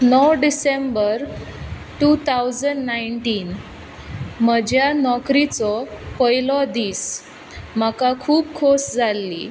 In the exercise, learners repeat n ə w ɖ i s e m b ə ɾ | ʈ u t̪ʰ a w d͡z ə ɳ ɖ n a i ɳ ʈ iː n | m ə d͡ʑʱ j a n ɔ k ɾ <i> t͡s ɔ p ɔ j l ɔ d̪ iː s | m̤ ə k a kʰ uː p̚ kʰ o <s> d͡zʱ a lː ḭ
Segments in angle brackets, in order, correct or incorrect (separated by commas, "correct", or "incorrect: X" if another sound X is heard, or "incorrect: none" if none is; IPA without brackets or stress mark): correct, correct